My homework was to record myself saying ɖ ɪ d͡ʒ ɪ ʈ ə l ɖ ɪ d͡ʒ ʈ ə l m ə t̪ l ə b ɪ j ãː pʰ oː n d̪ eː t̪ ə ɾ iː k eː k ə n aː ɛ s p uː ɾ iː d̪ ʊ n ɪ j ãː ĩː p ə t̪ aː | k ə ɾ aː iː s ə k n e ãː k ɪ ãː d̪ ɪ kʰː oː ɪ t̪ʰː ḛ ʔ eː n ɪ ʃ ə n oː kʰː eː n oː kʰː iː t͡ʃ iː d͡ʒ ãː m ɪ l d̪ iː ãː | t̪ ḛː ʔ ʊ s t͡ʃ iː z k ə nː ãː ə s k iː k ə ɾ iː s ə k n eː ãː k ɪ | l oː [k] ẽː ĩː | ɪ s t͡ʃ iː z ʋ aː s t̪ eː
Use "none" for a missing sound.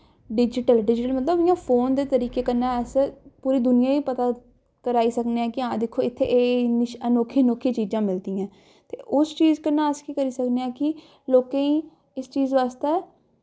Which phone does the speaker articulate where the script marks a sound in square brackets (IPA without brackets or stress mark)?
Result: k